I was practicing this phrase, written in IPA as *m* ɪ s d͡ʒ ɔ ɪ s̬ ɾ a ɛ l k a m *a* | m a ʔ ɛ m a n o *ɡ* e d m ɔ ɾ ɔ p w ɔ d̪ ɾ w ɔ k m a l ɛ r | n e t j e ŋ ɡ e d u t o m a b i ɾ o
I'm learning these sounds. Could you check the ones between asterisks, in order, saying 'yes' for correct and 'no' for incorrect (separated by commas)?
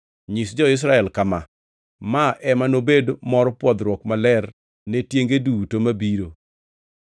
no, yes, no